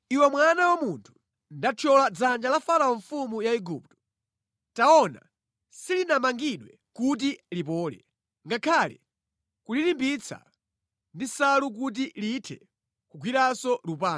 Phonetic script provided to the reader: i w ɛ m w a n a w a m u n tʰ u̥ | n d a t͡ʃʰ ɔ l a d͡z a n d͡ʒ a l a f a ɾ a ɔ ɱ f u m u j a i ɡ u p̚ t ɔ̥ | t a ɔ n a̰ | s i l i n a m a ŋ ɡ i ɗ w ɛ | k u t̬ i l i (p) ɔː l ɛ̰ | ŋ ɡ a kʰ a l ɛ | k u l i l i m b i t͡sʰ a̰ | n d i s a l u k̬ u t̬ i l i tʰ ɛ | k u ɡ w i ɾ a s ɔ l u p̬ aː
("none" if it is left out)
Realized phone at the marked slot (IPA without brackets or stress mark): p